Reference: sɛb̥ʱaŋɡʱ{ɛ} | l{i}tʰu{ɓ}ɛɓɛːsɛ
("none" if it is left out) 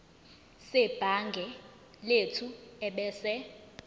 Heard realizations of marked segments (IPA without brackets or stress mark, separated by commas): ɛ, e, none